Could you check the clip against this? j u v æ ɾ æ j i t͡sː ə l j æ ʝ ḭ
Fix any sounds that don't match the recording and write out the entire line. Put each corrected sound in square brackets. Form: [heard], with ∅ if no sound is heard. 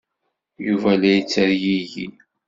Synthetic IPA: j u v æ [l] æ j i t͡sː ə [ɾ] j [i] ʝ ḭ